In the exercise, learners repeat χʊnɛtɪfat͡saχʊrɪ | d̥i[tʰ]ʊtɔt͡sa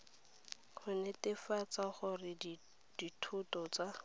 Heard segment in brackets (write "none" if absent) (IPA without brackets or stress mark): tʰ